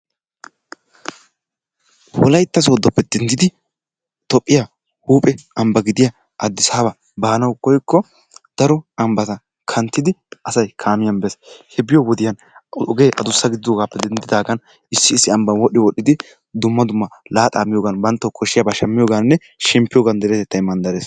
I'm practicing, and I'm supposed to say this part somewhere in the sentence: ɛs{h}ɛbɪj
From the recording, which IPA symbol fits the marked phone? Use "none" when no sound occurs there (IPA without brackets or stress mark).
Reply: h